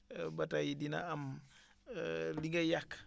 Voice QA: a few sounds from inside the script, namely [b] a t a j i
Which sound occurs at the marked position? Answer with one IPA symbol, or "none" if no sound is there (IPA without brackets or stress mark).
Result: b